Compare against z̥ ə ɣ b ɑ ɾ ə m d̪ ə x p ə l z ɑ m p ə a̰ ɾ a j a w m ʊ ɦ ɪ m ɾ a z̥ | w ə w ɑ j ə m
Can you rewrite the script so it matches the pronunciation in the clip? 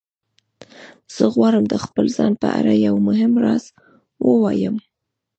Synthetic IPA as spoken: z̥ ə ɣ w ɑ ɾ ə m d̪ ə x p ə l z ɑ n p ə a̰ ɾ a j a w m ʊ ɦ ɪ m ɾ ɑ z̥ | w ə w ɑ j ə m